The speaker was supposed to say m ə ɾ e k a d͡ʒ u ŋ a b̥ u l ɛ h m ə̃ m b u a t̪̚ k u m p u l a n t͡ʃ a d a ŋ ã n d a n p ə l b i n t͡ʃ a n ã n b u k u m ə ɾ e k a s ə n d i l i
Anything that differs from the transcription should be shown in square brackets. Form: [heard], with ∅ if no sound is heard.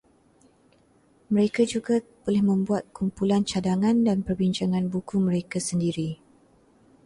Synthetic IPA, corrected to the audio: m ə ɾ e k a d͡ʒ u [ɡ] a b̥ [o] l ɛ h m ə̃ m b u a t̪̚ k u m p u l a n t͡ʃ a d a ŋ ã n d a n p ə [r] b i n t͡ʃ a [ŋ] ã n b u k u m ə ɾ e k a s ə n d i [ɾ] i